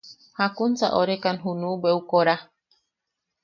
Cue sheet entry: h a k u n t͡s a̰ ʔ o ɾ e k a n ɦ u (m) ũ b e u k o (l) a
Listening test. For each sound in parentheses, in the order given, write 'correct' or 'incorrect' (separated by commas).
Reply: incorrect, incorrect